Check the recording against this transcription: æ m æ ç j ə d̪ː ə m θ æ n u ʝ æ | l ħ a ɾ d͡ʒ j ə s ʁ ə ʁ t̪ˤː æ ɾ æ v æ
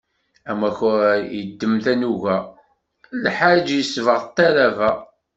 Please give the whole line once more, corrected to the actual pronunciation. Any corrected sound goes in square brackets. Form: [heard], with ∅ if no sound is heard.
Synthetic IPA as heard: æ m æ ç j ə d̪ː ə m θ æ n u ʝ æ | l ħ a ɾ d͡ʒ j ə s [v] ə ʁ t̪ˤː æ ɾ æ v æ